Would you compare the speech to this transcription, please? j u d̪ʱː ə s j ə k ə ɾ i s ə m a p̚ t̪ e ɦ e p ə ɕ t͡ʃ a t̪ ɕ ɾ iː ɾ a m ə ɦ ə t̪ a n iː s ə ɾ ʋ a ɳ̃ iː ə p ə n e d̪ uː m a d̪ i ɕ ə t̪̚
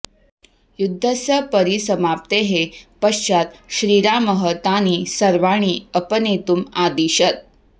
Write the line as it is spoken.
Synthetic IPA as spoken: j u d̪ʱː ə s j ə p ə ɾ i s ə m a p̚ t̪ e ɦ e p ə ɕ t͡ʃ a t̪ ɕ ɾ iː ɾ a m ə ɦ ə t̪ a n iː s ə ɾ ʋ a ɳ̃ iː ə p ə n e t̪ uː m a d̪ i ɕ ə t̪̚